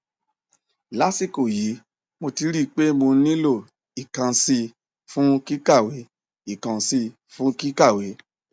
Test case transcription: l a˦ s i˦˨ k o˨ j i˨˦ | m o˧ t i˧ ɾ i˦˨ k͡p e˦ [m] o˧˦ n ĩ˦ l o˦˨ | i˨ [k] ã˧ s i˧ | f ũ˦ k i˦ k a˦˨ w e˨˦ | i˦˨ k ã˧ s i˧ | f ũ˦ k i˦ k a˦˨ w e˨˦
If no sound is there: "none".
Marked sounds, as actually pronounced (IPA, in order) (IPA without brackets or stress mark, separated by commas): m, k